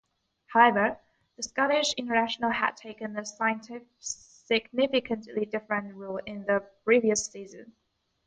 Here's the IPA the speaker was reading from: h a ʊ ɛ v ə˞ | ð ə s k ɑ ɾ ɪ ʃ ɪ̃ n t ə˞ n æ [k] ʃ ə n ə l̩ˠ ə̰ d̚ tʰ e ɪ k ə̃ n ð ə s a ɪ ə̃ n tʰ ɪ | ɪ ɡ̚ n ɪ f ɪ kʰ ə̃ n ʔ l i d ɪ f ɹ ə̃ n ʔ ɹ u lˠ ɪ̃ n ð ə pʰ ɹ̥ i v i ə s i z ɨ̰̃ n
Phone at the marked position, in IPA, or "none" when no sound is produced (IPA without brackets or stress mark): none